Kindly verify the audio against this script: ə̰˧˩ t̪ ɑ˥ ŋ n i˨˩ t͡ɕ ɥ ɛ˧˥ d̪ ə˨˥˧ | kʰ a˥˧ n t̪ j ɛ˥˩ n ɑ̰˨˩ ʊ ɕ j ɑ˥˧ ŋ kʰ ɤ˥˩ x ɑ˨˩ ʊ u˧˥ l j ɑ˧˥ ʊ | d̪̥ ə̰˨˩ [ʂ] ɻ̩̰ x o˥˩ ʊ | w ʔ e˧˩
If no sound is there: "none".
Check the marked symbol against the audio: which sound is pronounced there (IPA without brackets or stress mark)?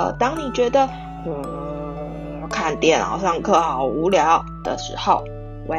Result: ʂ